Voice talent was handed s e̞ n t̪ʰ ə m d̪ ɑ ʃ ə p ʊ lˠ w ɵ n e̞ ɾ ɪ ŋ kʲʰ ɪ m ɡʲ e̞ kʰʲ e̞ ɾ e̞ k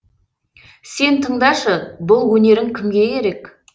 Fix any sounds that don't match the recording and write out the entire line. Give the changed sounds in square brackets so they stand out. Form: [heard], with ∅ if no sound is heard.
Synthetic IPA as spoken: s e̞ n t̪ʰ ə [ɴ] d̪ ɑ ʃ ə [b] ʊ lˠ w ɵ n e̞ ɾ ɪ ŋ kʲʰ ɪ m ɡʲ e̞ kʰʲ e̞ ɾ e̞ k